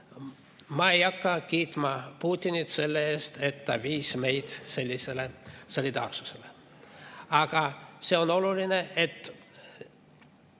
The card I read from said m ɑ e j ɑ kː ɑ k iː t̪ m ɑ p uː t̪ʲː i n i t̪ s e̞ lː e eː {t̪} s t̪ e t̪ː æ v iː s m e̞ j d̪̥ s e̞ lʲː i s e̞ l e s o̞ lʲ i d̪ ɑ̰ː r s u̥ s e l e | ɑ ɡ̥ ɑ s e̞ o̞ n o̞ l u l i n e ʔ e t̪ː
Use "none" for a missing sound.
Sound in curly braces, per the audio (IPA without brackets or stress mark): none